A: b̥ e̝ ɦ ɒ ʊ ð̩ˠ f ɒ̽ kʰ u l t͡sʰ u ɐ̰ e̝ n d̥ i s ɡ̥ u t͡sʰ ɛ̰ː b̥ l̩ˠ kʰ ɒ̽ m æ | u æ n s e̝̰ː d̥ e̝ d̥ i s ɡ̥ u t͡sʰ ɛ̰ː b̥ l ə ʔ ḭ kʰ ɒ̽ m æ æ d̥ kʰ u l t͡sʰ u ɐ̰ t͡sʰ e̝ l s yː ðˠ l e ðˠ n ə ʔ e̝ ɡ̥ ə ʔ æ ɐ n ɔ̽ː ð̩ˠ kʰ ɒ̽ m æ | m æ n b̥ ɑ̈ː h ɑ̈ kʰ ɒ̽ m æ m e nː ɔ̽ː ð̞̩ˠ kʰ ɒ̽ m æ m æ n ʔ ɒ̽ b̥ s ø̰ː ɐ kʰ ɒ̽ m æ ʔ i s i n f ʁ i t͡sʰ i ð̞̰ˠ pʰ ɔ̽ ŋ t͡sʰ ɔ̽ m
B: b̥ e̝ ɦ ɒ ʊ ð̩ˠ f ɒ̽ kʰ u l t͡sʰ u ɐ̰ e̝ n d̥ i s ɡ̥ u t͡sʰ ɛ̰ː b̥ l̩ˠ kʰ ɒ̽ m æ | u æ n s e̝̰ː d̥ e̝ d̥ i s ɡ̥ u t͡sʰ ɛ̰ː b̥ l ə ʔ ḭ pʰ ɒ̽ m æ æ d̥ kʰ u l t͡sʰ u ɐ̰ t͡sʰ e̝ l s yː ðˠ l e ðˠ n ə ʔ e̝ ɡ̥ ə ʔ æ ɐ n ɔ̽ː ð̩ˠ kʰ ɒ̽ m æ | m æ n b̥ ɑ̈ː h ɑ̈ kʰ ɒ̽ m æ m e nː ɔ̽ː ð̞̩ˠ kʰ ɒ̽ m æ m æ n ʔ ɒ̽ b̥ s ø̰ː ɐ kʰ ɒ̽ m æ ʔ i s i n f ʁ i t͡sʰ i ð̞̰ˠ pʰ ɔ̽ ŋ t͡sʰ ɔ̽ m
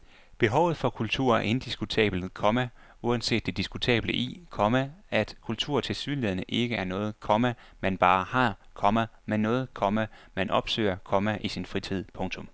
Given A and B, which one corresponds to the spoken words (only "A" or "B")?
A